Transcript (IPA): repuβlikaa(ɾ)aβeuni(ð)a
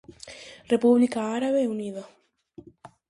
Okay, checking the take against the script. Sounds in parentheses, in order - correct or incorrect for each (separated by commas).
correct, correct